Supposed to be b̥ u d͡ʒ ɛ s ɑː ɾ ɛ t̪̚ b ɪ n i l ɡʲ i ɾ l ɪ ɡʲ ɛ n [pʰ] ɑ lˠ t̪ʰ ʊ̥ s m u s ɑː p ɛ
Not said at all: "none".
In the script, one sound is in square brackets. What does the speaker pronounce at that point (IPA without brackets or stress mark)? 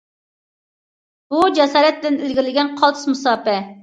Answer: qʰ